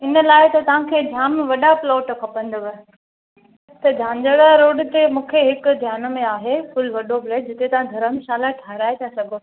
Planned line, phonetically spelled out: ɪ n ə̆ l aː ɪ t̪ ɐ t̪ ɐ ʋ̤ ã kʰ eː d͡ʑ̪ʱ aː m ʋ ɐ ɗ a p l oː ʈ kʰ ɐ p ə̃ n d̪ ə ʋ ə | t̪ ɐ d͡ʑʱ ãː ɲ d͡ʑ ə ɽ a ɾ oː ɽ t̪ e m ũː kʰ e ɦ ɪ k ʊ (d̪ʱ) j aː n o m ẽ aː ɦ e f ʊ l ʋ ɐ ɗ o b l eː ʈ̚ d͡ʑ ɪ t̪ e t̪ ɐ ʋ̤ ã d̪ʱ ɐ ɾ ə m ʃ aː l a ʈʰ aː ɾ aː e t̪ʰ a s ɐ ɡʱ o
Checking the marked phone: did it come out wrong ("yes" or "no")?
no